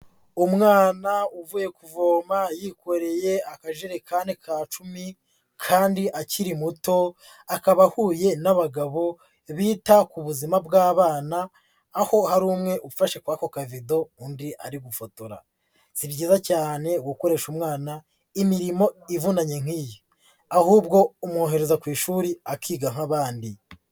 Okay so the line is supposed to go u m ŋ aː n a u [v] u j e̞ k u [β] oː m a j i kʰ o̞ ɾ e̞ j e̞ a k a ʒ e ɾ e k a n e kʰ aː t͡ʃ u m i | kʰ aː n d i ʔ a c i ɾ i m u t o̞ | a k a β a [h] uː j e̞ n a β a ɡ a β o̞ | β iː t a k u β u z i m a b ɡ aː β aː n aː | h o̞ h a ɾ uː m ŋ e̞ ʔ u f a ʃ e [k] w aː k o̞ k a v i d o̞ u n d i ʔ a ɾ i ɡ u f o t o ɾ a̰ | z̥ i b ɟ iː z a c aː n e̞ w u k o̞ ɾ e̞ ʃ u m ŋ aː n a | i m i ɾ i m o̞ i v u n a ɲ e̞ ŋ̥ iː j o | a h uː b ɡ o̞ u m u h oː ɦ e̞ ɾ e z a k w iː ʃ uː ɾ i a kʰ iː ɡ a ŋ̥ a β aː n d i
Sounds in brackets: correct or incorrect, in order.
correct, incorrect: v, correct, correct

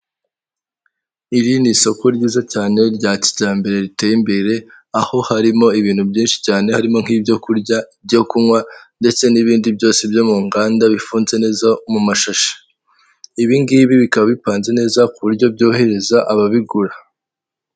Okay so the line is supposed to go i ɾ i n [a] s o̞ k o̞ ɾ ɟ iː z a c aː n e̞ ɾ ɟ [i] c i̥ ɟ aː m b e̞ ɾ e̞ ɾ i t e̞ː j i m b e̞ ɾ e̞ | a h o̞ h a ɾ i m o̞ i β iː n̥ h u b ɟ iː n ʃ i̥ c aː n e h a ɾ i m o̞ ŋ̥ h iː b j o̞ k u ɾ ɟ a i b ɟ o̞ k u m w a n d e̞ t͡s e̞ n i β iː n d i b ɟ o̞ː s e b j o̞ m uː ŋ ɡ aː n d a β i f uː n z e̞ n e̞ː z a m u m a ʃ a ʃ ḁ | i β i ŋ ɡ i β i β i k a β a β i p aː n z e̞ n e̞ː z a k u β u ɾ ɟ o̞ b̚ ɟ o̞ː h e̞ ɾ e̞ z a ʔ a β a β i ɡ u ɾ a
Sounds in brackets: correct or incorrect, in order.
incorrect: i, incorrect: a

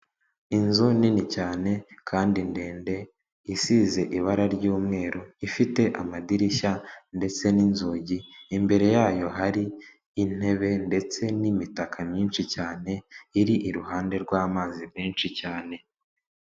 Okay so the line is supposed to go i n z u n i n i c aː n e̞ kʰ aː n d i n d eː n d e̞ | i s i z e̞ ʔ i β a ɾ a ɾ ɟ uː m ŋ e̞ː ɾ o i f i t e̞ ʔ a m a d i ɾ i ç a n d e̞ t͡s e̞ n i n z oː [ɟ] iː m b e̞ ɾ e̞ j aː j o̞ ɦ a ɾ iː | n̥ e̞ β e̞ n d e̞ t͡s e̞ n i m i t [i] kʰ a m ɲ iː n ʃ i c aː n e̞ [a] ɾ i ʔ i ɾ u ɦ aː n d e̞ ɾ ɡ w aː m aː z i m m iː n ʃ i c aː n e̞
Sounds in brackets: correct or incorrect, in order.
correct, incorrect: a, incorrect: i

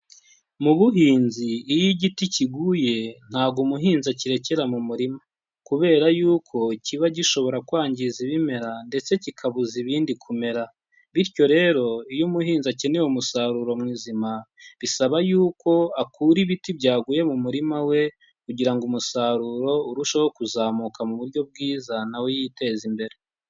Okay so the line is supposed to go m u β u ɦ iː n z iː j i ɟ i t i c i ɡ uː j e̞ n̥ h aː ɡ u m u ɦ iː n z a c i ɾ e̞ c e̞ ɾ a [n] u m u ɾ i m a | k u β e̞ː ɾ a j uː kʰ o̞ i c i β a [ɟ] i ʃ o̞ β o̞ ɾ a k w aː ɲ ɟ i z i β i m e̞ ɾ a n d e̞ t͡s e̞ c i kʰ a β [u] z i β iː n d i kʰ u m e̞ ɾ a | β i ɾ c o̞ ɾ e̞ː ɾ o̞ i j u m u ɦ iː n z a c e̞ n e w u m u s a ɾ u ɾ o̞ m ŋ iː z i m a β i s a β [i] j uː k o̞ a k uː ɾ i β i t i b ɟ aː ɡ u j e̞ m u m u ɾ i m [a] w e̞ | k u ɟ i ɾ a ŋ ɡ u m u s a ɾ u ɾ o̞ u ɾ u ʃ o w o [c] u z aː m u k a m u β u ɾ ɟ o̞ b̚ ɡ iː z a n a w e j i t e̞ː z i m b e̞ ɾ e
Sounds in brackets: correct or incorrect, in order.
incorrect: m, correct, correct, incorrect: a, correct, incorrect: k

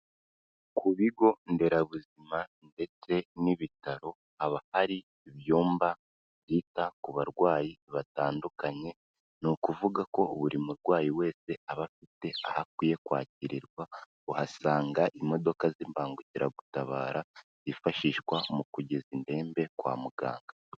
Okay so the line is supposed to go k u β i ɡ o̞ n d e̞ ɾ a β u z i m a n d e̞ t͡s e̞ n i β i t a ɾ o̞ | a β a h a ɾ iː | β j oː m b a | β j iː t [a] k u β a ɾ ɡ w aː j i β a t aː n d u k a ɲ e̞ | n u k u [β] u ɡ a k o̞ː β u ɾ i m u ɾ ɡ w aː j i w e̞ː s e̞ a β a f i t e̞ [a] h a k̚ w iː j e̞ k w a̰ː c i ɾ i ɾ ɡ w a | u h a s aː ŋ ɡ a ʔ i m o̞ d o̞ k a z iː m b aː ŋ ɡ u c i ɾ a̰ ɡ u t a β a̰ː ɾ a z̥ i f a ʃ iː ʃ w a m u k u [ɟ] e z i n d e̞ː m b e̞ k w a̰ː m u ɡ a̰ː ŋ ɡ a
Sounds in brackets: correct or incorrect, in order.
correct, incorrect: v, correct, correct

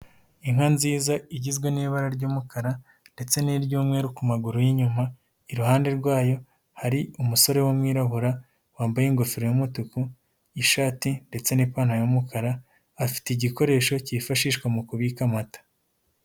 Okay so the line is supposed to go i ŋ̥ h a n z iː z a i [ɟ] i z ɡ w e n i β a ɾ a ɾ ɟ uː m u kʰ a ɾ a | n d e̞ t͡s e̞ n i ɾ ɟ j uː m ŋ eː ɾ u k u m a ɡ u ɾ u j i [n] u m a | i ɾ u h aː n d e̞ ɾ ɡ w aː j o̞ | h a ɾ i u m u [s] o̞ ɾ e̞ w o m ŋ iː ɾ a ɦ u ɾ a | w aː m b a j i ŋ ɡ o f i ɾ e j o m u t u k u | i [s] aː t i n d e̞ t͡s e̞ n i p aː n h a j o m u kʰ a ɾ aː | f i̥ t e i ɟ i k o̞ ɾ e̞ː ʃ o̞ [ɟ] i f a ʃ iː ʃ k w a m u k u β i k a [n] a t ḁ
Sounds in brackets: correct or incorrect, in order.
correct, incorrect: ɲ, correct, incorrect: ʃ, incorrect: c, incorrect: m

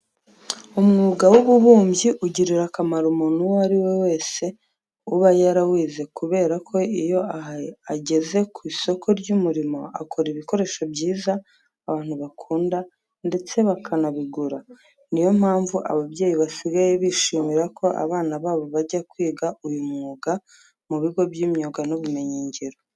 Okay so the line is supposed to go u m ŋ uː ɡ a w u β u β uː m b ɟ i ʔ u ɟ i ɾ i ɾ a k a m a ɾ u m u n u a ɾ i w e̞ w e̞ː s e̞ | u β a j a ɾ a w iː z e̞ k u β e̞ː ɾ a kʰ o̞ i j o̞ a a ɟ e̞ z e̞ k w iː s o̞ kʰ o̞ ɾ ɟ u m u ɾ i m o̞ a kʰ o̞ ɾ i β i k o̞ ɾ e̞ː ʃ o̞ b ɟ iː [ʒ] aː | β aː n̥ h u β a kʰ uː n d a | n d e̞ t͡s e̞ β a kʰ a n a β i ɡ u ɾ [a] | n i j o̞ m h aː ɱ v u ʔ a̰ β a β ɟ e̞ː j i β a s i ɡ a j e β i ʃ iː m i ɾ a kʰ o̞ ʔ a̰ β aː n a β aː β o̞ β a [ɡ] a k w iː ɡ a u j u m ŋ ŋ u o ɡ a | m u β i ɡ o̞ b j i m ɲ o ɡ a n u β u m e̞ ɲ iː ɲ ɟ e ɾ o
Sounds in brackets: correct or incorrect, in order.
incorrect: z, correct, incorrect: ɟ

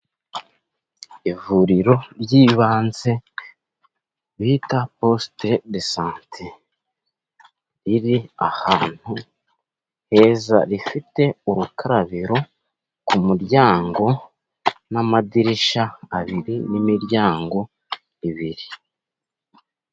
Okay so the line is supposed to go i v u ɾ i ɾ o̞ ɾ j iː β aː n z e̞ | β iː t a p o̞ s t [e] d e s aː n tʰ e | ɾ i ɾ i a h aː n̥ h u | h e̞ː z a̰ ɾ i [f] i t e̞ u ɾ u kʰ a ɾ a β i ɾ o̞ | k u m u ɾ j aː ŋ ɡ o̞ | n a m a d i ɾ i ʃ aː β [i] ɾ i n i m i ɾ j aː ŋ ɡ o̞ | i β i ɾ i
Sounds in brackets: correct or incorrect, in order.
correct, correct, correct

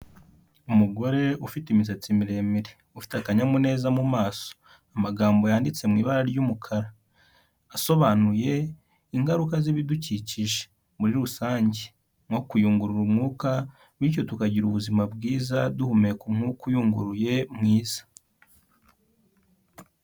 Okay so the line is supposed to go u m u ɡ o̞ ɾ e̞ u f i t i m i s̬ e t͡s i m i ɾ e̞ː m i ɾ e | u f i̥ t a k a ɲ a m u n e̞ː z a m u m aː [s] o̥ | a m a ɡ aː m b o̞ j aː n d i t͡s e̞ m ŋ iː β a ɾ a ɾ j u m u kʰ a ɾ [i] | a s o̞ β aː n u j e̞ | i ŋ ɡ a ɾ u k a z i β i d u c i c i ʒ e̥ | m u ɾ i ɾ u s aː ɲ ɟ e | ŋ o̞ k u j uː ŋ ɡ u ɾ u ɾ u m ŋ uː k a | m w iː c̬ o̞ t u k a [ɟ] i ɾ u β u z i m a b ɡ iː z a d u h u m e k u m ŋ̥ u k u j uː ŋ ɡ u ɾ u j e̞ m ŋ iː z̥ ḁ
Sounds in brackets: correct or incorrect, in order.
correct, incorrect: a, correct

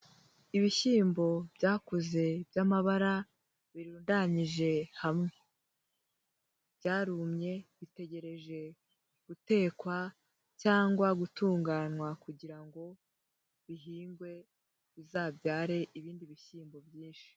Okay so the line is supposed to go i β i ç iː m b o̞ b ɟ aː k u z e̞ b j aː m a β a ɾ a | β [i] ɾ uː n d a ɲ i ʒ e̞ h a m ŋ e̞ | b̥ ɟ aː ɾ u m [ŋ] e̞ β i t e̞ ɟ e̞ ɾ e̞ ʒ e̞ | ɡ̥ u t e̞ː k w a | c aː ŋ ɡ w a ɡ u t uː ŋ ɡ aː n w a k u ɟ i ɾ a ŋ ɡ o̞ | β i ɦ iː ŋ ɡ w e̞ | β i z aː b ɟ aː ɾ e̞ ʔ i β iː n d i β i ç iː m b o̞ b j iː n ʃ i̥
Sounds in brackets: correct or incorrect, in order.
correct, incorrect: ɲ

